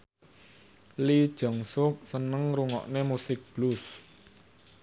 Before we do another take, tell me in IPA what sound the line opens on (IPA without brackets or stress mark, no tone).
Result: l